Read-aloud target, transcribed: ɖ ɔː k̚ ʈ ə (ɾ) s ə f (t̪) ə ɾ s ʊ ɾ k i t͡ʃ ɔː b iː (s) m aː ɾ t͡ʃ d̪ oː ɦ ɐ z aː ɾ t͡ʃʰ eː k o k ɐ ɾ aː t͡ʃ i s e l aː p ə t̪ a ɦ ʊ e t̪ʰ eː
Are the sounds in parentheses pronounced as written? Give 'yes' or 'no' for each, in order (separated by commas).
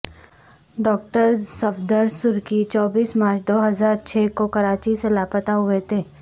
yes, no, yes